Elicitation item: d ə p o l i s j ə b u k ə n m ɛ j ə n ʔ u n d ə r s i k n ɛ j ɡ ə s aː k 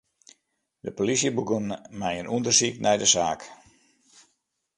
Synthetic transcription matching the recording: d ə p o l i s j ə b u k ə n m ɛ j ə n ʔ u n d ə r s i k n ɛ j d ə s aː k